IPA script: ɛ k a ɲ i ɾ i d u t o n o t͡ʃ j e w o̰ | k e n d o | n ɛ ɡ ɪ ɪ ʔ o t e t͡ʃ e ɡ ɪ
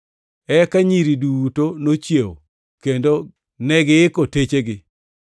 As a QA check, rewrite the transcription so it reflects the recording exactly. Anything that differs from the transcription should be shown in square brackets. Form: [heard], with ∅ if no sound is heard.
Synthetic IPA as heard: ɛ k a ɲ i ɾ i d u t o n o t͡ʃ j e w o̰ | k e n d o | n ɛ ɡ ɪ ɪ [k] o t e t͡ʃ e ɡ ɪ

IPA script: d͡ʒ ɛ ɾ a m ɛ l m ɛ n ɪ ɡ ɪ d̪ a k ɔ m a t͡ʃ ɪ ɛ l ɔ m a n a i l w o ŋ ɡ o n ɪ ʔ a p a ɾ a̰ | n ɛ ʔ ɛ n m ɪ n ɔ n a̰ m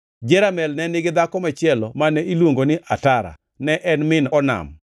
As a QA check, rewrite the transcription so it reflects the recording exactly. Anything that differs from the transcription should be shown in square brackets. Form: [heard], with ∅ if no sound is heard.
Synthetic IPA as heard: d͡ʒ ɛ ɾ a m ɛ l [n] ɛ n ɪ ɡ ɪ d̪ a k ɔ m a t͡ʃ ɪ ɛ l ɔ m a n [ɛ] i l w o ŋ ɡ o n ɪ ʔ a [t] a ɾ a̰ | n ɛ ʔ ɛ n m ɪ n ɔ n a̰ m

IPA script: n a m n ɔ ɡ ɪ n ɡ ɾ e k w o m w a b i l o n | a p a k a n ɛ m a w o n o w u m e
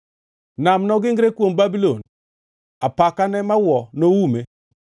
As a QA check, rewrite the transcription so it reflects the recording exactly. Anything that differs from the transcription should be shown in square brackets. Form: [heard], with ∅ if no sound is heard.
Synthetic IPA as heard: n a m n ɔ ɡ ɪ [ŋ] ɡ ɾ e k w o m [b] a b i l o n | a p a k a n ɛ m a w [ɔ] n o w u m e

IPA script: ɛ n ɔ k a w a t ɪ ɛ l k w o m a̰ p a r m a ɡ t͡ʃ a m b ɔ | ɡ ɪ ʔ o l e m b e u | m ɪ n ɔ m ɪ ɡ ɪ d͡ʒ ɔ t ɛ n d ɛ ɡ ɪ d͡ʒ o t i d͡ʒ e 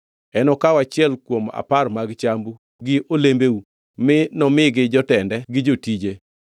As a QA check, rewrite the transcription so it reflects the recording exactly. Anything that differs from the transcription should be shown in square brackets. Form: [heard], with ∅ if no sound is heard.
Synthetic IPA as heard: ɛ n ɔ k a w a [t͡ʃ] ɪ ɛ l k w o m a̰ p a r m a ɡ t͡ʃ a m b [u] | ɡ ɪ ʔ o l e m b e u | m ɪ n ɔ m ɪ ɡ ɪ d͡ʒ ɔ t ɛ n d ɛ ɡ ɪ d͡ʒ o t i d͡ʒ e

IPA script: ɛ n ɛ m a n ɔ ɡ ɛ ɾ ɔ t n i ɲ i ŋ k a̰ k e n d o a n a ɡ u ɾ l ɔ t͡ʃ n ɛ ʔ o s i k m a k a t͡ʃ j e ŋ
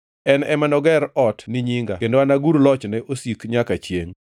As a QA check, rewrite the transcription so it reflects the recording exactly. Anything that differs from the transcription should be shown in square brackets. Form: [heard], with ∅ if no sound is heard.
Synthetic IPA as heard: ɛ n ɛ m a n ɔ ɡ ɛ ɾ ɔ t n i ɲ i ŋ [ɡ] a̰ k e n d o a n a ɡ u ɾ l ɔ t͡ʃ n ɛ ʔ o s i k [ɲ] a k a t͡ʃ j e ŋ

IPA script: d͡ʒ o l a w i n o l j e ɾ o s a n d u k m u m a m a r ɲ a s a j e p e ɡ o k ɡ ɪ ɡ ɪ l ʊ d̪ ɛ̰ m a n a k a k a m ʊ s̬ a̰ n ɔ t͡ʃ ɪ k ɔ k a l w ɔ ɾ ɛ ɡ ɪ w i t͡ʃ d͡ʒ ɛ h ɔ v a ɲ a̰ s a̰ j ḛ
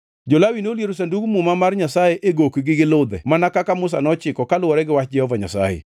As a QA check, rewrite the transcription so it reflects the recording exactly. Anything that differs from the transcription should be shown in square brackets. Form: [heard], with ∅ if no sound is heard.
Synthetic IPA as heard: d͡ʒ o l a w i n o l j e ɾ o s a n d u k m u m a m a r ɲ a s a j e [ʔ] e ɡ o k ɡ ɪ ɡ ɪ l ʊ d̪ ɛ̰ m a n a k a k a m ʊ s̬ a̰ n ɔ t͡ʃ ɪ k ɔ k a l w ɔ ɾ ɛ ɡ ɪ w [a] t͡ʃ d͡ʒ ɛ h ɔ v a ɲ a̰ s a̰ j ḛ

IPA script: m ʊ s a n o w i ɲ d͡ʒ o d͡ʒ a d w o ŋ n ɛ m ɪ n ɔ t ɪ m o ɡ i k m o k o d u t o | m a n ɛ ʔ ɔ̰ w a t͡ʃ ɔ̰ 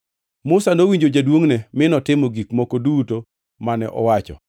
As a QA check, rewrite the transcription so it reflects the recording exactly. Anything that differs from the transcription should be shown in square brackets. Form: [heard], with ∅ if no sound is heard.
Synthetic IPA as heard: m ʊ s a n o w i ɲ d͡ʒ o d͡ʒ a d w o ŋ n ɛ m ɪ n ɔ t ɪ m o ɡ i k m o k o d u t o | m a n ɛ ʔ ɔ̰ w a t͡ʃ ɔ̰

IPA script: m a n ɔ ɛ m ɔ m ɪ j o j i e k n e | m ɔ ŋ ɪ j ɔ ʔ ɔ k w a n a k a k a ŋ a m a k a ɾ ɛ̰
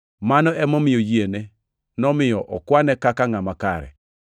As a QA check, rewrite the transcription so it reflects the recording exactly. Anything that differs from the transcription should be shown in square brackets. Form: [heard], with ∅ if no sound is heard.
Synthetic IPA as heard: m a n ɔ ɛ m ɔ m ɪ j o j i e [∅] n e | [n] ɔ [m] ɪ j ɔ ʔ ɔ k w a n [ɛ] k a k a ŋ a m a k a ɾ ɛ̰

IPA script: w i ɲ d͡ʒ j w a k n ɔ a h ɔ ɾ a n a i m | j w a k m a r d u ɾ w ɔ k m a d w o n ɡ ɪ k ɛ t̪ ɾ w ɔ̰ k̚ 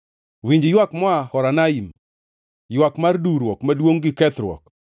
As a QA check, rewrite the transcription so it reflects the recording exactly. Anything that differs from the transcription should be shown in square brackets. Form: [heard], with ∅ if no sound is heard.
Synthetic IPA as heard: w i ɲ d͡ʒ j w a k [m] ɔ a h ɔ ɾ a n a i m | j w a k m a r d u ɾ w ɔ k m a d w o [ŋ] ɡ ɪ k ɛ t̪ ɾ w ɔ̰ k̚

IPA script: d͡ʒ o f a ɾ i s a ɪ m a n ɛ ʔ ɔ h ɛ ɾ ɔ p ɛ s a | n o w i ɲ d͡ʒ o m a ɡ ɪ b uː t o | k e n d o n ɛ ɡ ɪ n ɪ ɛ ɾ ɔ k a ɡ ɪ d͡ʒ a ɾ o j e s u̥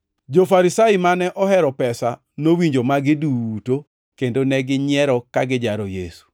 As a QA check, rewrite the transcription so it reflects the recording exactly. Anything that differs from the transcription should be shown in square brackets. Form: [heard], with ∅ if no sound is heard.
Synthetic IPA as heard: d͡ʒ o f a ɾ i s a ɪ m a n ɛ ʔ ɔ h ɛ ɾ ɔ p ɛ s a | n o w i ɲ d͡ʒ o m a ɡ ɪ [d] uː t o | k e n d o n ɛ ɡ ɪ [ɲ] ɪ ɛ ɾ ɔ k a ɡ ɪ d͡ʒ a ɾ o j e s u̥

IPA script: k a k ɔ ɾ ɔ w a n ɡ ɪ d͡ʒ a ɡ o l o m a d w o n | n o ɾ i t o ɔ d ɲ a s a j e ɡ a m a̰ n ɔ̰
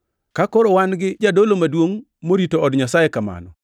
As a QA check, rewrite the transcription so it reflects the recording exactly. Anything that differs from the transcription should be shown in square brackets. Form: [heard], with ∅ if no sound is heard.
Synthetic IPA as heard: k a k ɔ ɾ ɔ w a n ɡ ɪ d͡ʒ a [d] o l o m a d w o [ŋ] | [m] o ɾ i t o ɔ d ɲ a s a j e [k] a m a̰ n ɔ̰

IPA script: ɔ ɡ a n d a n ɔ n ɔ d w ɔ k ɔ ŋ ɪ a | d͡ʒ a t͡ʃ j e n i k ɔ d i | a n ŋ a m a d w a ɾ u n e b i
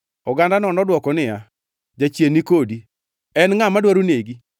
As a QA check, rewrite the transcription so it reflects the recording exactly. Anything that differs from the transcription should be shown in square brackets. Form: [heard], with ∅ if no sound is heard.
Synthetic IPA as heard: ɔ ɡ a n d a n ɔ n ɔ d w ɔ k ɔ [n] ɪ a | d͡ʒ a t͡ʃ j e n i k [o] d i | [ɛ] n ŋ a m a d w a ɾ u n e [ɡ] i

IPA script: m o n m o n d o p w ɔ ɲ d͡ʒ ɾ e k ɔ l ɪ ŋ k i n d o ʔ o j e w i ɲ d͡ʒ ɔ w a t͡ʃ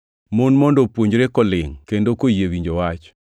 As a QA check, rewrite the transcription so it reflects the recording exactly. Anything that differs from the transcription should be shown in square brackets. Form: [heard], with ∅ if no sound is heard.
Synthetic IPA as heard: m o n m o n d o p w [o] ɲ d͡ʒ ɾ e k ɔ l ɪ ŋ k [e] n d o [k] o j e w i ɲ d͡ʒ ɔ w a t͡ʃ

